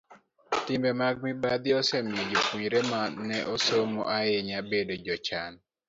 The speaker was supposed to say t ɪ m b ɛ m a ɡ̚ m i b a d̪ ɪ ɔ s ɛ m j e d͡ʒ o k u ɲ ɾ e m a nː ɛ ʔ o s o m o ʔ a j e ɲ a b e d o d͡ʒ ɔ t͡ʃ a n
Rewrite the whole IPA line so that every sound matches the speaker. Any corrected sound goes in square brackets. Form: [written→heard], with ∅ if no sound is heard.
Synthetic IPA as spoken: t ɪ m b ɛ m a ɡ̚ m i b a d̪ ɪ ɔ s ɛ m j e d͡ʒ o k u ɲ ɾ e m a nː ɛ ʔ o s o m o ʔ a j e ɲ a b e d o d͡ʒ ɔ t͡ʃ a n